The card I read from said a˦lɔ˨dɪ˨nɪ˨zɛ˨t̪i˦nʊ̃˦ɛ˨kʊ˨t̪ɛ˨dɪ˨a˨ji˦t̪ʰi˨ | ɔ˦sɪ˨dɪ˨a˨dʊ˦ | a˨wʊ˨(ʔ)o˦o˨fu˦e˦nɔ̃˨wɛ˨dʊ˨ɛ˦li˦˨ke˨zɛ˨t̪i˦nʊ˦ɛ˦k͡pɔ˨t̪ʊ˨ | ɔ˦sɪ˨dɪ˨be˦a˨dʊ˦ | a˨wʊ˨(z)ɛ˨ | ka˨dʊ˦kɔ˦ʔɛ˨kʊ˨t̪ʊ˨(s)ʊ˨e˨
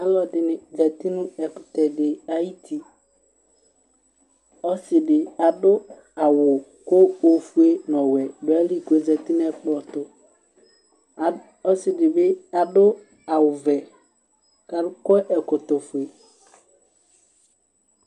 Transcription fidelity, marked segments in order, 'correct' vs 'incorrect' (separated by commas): incorrect, incorrect, incorrect